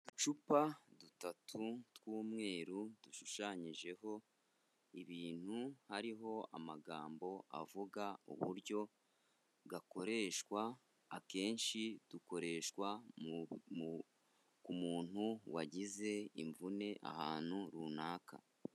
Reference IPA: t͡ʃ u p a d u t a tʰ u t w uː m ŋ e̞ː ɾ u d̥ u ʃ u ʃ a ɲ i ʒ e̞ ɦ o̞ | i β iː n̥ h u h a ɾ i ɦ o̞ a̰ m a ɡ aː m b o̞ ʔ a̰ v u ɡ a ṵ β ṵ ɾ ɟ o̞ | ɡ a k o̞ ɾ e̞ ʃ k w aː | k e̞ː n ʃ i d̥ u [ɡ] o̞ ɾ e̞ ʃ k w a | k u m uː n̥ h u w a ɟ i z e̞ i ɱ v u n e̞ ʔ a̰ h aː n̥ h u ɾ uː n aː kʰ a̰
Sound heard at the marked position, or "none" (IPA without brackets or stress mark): k